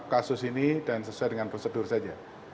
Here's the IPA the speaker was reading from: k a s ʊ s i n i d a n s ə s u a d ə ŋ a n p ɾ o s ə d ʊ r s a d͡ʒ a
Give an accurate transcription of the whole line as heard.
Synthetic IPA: k a s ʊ s i n i d a n s ə s u a d ə ŋ a n p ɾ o s ə d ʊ r s a d͡ʒ a